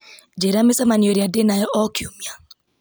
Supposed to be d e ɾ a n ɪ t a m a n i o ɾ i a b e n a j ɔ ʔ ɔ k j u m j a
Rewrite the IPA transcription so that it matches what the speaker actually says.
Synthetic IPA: d͡ʒ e ɾ a m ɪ s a m a n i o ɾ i a d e n a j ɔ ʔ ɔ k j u m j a

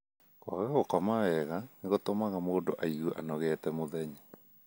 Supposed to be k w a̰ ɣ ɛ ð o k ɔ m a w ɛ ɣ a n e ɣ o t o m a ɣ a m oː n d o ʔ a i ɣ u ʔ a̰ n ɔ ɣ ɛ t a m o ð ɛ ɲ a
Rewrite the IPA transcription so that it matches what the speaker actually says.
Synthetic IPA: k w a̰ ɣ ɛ ɣ o k ɔ m a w ɛ ɣ a n e ɣ o t o m a ɣ a m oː n d o ʔ a i ɣ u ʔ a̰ n ɔ ɣ ɛ t ɛ m o ð ɛ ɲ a

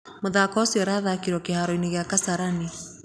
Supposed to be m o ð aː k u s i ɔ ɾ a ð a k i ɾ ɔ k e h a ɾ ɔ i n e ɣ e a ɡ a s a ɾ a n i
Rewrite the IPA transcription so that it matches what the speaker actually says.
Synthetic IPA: m o ð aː k ɔ s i ɔ ɾ a ð a k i ɾ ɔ k e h a ɾ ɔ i n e ɣ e a k a s a ɾ a n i

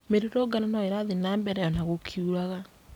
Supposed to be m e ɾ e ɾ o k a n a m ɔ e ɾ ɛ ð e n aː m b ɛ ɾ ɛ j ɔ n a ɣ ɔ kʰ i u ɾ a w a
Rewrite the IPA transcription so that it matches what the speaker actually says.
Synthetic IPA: m e ɾ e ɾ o ɡ a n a n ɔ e ɾ a ð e n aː m b ɛ ɾ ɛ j ɔ n a ɣ o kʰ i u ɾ a ɣ a

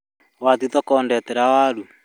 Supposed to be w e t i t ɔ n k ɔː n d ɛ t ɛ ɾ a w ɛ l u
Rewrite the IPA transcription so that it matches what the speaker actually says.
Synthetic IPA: w a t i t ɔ k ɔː n d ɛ t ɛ ɾ a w a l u

